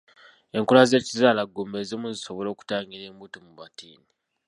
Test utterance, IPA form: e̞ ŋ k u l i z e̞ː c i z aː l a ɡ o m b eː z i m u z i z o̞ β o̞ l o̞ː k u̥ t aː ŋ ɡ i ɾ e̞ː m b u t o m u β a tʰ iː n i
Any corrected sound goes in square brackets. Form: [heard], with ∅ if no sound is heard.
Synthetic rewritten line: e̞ ŋ k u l [a] z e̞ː c i z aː l a ɡ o m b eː z i m u z i [s] o̞ β o̞ l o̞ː k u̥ t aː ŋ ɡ i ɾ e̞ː m b u t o m u β a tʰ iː n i